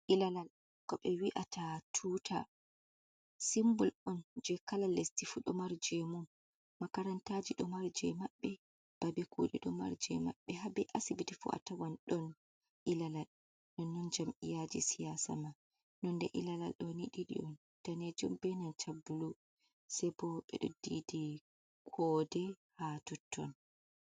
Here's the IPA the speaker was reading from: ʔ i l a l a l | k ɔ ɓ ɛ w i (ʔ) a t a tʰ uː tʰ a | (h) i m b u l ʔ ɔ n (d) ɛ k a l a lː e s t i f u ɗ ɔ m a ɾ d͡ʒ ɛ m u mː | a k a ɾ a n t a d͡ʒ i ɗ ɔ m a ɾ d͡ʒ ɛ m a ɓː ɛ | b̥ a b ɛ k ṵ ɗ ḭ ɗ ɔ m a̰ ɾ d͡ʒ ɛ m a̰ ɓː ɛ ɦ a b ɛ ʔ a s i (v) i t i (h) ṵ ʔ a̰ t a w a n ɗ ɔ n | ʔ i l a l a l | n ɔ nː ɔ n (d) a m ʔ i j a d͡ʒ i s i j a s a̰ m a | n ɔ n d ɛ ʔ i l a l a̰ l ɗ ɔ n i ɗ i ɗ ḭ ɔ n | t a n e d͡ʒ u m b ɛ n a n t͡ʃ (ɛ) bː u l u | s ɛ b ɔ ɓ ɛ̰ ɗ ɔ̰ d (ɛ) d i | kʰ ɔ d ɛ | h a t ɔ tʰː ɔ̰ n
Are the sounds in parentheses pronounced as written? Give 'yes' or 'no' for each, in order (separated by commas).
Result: yes, no, no, no, no, no, no, no